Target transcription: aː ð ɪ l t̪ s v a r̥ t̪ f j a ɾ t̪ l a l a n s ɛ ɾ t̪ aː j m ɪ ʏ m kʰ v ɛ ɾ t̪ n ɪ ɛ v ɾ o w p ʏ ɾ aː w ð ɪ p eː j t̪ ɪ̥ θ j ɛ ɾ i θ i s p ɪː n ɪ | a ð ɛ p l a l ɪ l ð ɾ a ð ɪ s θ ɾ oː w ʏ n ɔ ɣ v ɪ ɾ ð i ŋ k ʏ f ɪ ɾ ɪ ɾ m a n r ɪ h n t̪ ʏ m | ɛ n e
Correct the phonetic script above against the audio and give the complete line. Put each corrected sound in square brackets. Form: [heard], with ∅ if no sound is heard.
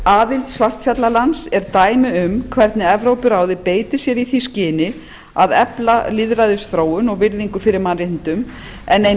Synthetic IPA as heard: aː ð ɪ l t̪ s v a r̥ t̪ f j a [∅] t̪ l a l a n s ɛ ɾ t̪ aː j m ɪ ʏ m kʰ v ɛ ɾ t̪ n ɪ ɛ v ɾ o w p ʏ ɾ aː w ð ɪ p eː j t̪ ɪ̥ [s] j ɛ ɾ i θ i s [c] ɪː n ɪ | a ð ɛ p l a l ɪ [∅] ð ɾ a ð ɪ s θ ɾ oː w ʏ n ɔ ɣ v ɪ ɾ ð i ŋ k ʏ f ɪ ɾ ɪ ɾ m a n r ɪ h n t̪ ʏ m | ɛ n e